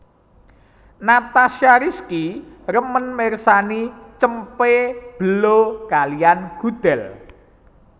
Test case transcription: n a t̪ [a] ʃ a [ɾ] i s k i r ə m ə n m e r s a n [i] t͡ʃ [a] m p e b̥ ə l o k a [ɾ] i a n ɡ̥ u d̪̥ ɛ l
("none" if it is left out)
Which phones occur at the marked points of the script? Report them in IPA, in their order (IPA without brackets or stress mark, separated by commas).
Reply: a, ɾ, i, ə, l